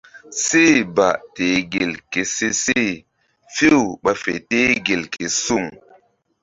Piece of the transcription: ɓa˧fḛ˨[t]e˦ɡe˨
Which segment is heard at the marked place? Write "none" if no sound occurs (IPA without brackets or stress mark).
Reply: t